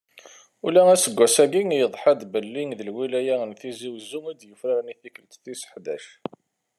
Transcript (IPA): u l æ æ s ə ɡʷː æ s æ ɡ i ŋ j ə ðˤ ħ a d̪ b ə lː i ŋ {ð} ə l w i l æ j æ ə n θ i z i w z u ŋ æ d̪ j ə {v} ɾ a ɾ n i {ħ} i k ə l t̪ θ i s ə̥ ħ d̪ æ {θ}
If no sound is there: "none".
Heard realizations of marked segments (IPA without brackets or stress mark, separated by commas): ð, f, θ, ʃ